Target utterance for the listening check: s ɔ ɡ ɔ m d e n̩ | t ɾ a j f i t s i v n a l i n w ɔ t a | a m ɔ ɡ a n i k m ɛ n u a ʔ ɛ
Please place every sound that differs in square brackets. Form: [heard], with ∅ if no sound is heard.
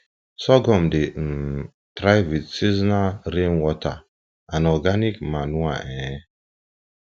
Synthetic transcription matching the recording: s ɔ ɡ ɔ m d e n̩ | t ɾ a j [v] i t s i [z] n a [ɾ] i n w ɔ t a | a [n] ɔ ɡ a n i k m [a] n u a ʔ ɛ